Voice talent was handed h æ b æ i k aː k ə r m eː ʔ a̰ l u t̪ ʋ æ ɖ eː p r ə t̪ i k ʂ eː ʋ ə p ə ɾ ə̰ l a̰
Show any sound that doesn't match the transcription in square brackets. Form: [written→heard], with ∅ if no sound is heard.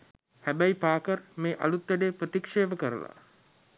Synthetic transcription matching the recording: h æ b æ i [k→p] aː k ə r m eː ʔ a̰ l u t̪ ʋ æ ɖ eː p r ə t̪ i k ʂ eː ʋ ə [p→k] ə ɾ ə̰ l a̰